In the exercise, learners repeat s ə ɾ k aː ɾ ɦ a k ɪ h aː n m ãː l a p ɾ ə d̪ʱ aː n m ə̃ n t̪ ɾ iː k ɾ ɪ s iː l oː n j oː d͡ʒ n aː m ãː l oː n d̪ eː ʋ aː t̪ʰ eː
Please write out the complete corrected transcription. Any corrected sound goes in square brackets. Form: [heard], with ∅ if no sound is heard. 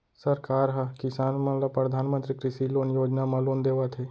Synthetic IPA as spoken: s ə ɾ k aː ɾ ɦ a k ɪ [s] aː n m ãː l a p ɾ ə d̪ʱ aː n m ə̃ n t̪ ɾ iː k ɾ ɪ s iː l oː n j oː d͡ʒ n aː m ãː l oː n d̪ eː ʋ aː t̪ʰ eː